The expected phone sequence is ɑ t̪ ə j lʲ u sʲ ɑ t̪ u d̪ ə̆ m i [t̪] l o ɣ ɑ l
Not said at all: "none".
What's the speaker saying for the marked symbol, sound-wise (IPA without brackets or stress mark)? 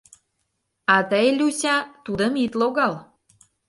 t̪